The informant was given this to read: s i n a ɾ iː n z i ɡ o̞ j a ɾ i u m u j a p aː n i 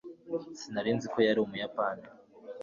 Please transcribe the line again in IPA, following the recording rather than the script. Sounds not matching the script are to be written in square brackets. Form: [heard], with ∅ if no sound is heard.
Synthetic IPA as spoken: s i n a ɾ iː n z i [k] o̞ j a ɾ i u m u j a p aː n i